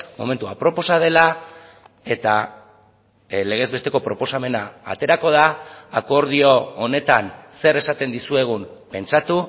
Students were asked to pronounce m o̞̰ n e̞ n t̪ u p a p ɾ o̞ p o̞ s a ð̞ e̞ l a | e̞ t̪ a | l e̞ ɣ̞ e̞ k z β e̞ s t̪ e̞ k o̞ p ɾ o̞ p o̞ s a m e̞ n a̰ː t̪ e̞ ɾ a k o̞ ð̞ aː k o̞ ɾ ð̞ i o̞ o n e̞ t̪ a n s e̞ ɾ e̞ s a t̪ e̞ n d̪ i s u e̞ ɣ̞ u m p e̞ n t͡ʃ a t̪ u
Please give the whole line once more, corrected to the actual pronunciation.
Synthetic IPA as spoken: m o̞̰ m e̞ n t̪ u a p ɾ o̞ p o̞ s a ð̞ e̞ l a | e̞ t̪ a | l e̞ ɣ̞ e̞ z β e̞ s t̪ e̞ k o̞ p ɾ o̞ p o̞ s a m e̞ n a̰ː t̪ e̞ ɾ a k o̞ ð̞ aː k o̞ ɾ ð̞ i o̞ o n e̞ t̪ a n s e̞ ɾ e̞ s a t̪ e̞ n d̪ i s u e̞ ɣ̞ u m p e̞ n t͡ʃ a t̪ u